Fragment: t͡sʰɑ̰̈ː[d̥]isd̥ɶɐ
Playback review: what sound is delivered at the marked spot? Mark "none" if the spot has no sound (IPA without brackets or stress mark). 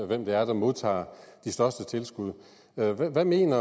d̥